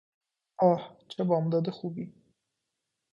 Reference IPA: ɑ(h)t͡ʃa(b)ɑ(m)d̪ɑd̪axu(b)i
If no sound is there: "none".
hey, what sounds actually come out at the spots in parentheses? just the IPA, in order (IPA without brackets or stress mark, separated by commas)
h, b, m, b